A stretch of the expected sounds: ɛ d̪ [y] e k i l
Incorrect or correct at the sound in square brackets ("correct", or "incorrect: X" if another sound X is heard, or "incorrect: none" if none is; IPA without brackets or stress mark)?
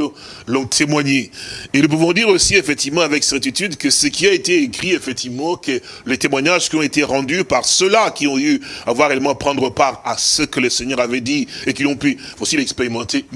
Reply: incorrect: i